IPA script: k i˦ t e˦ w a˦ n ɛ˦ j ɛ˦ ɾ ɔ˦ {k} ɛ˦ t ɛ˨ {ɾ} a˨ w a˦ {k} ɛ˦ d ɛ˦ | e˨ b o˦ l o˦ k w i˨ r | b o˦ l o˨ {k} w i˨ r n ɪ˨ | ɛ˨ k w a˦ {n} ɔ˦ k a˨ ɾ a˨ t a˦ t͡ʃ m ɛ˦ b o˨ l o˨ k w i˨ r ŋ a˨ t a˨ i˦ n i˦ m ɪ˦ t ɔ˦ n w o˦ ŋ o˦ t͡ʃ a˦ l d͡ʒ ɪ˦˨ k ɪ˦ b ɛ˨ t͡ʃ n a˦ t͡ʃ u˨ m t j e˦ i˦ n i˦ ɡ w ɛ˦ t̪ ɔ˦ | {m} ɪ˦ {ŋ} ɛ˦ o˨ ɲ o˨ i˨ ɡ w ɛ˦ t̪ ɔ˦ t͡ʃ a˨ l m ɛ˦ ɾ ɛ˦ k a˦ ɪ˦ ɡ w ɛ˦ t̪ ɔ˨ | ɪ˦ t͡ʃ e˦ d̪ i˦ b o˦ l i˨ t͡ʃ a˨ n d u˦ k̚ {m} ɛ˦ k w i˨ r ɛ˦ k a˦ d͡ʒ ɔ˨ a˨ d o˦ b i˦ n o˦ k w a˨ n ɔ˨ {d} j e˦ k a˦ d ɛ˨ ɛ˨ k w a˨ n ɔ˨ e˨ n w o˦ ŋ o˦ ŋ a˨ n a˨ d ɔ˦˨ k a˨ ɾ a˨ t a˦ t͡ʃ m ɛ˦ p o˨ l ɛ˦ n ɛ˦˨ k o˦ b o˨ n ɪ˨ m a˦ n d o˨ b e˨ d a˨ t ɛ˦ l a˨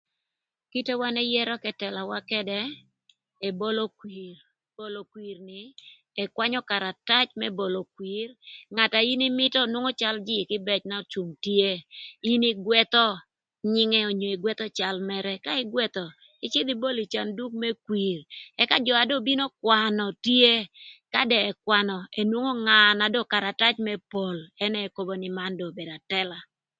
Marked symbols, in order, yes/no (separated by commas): yes, no, yes, yes, no, no, yes, yes, no